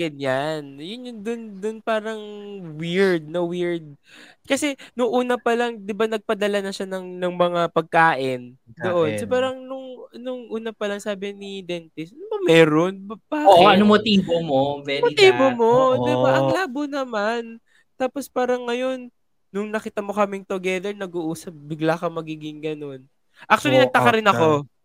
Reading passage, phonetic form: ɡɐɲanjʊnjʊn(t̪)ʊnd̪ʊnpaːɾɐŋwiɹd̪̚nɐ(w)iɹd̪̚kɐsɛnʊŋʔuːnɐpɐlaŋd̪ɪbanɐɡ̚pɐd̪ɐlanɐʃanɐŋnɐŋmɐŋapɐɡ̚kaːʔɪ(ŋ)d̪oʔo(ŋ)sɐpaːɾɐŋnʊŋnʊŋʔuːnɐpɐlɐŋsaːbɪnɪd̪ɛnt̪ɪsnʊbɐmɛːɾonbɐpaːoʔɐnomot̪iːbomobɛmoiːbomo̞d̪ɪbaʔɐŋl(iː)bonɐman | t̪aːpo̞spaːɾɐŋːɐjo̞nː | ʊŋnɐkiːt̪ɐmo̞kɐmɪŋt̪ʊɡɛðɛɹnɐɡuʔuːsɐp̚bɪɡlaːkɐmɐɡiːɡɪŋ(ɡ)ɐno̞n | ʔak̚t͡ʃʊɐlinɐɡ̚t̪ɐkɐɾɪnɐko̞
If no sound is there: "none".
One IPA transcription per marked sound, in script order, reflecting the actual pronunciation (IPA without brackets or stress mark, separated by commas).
d̪, w, n, n, aː, ɡ